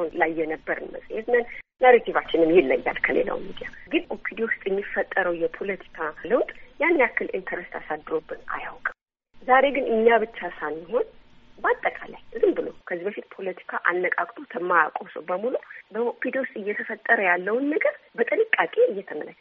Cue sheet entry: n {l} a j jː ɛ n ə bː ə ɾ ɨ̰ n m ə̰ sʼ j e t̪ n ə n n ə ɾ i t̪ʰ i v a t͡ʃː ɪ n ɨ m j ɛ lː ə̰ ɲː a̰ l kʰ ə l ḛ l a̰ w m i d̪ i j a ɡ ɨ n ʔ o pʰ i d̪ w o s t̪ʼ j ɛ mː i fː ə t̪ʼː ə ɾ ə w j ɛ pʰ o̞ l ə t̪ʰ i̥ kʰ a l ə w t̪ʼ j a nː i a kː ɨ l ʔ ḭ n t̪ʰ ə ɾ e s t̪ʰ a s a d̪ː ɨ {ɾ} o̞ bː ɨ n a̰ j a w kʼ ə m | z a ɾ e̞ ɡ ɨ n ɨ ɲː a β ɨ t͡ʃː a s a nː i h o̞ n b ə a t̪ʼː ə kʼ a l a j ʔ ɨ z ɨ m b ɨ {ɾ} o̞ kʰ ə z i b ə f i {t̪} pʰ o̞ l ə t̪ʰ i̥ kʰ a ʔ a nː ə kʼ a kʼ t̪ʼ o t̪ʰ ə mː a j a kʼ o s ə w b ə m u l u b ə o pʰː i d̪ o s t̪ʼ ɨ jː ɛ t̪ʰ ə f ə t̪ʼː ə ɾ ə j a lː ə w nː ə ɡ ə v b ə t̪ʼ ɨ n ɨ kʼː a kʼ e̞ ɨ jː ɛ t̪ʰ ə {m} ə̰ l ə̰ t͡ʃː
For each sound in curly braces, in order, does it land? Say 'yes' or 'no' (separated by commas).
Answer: yes, yes, no, yes, yes